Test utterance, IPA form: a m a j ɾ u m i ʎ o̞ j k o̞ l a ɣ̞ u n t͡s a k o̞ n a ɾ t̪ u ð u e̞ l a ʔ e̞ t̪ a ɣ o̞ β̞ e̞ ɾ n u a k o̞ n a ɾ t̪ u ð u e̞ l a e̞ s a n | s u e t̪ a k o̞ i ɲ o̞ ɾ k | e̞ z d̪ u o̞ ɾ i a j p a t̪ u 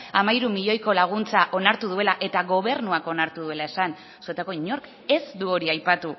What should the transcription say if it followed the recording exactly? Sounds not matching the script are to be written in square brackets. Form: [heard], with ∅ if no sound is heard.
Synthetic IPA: a m a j ɾ u m i ʎ o̞ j k o̞ l a ɣ̞ u n t͡s a [ʔ] o̞ n a ɾ t̪ u ð u e̞ l a ʔ e̞ t̪ a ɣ o̞ β̞ e̞ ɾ n u a k o̞ n a ɾ t̪ u ð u e̞ l a e̞ s a n | s u e t̪ a k o̞ i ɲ o̞ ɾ k | e̞ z d̪ u o̞ ɾ i a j p a t̪ u